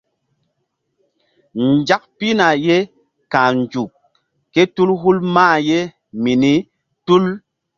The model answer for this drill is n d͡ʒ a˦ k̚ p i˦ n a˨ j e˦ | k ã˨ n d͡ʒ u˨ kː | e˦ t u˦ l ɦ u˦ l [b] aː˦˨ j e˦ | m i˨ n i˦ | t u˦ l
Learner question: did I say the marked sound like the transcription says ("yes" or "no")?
no